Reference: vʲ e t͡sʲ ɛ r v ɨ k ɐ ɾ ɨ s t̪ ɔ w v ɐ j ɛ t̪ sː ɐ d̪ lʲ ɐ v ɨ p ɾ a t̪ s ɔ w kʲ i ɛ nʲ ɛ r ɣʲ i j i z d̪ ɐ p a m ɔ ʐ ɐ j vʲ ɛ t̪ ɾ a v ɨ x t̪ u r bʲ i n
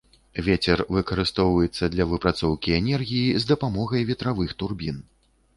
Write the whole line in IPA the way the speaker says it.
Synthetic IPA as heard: vʲ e t͡sʲ ɛ r v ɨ k ɐ ɾ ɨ s t̪ ɔ w v ɐ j ɛ t̪ sː ɐ d̪ lʲ ɐ v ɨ p ɾ a t̪ s ɔ w kʲ i ɛ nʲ ɛ r ɣʲ i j i z d̪ ɐ p a m ɔ ɣ ɐ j vʲ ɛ t̪ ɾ a v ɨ x t̪ u r bʲ i n